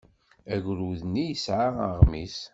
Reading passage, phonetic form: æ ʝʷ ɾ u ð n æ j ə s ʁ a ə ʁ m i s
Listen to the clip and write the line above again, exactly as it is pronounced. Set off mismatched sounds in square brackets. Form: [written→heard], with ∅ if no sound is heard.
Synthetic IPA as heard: æ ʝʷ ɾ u ð n [æ→i] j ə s [ʁ→ʕ] a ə ʁ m i s